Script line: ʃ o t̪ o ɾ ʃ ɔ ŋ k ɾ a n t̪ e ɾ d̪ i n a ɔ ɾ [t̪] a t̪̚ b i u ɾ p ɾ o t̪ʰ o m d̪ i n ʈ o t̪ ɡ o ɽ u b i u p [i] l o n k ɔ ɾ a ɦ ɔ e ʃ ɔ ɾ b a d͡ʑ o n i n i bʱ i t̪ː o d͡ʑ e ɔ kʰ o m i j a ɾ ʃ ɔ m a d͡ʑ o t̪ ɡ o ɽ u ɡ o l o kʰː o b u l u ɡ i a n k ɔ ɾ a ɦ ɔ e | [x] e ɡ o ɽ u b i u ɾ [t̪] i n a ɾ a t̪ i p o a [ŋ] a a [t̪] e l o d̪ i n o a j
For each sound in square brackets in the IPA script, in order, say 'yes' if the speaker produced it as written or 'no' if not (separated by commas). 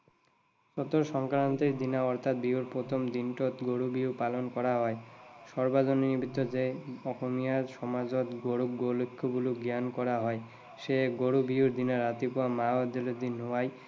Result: no, no, no, no, no, no